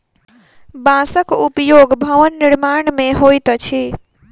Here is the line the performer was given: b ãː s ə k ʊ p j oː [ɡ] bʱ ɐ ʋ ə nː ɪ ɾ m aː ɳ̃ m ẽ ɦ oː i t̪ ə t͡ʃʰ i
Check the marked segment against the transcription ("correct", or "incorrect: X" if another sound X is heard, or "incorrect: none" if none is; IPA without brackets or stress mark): correct